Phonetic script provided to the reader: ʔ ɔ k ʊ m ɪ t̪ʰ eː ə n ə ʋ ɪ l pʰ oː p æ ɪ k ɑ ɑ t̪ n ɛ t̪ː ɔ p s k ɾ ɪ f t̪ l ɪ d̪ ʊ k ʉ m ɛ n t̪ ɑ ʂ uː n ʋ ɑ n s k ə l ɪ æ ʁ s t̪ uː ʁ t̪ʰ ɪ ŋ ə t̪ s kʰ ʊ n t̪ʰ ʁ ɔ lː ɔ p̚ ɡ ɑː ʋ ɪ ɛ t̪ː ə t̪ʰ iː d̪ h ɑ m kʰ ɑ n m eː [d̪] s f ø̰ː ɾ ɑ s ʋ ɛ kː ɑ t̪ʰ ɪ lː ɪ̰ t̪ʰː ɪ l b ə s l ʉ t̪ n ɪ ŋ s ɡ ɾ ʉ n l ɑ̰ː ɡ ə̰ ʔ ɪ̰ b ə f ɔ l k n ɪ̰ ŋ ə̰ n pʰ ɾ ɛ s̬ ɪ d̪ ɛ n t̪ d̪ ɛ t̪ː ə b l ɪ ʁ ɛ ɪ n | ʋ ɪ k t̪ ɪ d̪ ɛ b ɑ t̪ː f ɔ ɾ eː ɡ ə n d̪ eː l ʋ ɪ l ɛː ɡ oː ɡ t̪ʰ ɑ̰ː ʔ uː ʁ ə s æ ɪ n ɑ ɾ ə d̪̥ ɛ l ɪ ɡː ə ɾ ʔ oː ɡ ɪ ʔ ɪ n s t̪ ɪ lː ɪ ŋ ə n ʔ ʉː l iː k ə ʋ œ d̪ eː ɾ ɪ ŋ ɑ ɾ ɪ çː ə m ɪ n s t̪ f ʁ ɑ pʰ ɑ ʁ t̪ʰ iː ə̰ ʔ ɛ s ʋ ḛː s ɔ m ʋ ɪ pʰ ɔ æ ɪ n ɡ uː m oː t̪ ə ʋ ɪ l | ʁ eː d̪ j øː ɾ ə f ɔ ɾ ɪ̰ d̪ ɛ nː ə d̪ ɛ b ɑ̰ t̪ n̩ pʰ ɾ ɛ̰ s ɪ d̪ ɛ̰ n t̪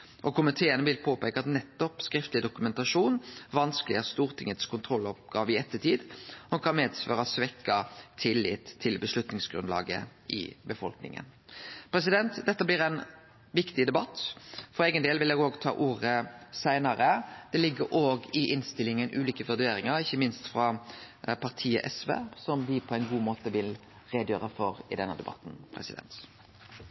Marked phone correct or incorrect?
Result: correct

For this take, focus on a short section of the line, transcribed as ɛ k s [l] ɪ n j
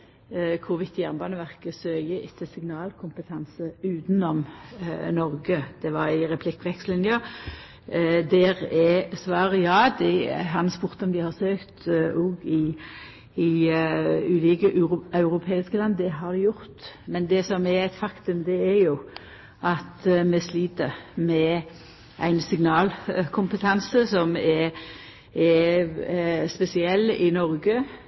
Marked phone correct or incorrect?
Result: correct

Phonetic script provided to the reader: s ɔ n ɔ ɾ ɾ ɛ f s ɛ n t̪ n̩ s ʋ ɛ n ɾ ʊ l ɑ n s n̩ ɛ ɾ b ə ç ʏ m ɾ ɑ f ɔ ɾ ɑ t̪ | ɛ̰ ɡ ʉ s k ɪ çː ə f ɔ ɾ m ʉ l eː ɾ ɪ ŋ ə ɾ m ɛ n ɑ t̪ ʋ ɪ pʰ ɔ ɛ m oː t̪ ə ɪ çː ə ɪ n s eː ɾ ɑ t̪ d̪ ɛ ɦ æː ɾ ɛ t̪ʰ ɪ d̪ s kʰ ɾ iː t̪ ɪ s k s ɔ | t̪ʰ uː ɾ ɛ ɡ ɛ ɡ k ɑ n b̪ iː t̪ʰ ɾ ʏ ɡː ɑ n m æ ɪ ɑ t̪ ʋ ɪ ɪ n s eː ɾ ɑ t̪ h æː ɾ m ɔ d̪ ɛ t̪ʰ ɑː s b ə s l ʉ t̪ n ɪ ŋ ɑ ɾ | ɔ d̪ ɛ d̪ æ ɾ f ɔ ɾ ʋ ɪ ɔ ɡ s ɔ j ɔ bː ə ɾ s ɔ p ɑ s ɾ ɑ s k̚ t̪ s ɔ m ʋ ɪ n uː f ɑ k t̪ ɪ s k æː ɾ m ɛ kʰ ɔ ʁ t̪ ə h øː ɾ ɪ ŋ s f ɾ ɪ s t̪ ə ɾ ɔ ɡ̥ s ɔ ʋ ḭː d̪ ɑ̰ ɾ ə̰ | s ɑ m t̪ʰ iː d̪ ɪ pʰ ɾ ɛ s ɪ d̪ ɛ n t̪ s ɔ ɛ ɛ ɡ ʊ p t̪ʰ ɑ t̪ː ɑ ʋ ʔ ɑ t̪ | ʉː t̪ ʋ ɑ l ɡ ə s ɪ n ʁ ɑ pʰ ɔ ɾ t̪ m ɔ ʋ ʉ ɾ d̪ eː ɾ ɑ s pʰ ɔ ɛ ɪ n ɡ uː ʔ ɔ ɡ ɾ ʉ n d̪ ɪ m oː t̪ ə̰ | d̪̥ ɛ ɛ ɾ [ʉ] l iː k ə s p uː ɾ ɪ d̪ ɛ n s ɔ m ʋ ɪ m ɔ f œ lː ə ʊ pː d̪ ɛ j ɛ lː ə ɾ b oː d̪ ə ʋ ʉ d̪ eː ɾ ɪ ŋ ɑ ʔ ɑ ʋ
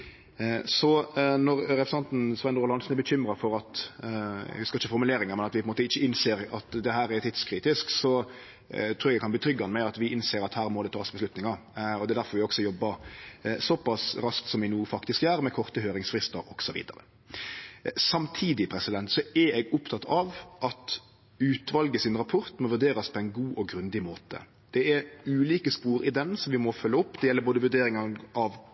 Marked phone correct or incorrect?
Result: incorrect: ʉː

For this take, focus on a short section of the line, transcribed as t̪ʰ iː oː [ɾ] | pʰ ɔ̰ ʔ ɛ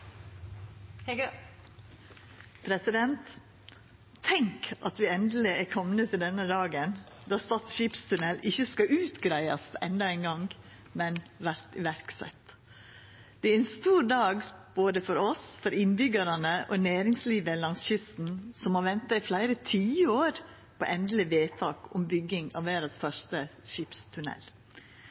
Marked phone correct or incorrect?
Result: correct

